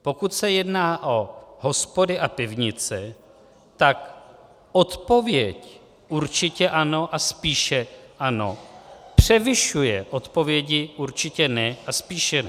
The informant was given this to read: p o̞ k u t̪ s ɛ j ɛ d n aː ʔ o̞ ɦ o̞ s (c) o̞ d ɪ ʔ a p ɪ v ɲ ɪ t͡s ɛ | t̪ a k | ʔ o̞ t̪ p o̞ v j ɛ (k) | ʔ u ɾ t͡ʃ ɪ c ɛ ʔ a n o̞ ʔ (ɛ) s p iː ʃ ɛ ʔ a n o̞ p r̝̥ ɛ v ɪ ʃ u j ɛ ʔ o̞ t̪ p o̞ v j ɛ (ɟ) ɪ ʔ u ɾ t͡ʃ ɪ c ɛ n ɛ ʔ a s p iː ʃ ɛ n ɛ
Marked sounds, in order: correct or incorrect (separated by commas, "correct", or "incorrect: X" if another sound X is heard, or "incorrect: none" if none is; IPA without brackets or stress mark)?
incorrect: p, incorrect: c, incorrect: a, correct